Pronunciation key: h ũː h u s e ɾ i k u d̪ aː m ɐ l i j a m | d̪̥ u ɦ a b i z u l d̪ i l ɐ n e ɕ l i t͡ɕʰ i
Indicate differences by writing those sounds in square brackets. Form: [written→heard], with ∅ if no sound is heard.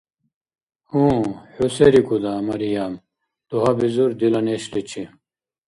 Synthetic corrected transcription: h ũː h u s e ɾ i k u d̪ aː m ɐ [l→ɾ] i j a m | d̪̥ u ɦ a b i z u [l→ɾ] d̪ i l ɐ n e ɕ l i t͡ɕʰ i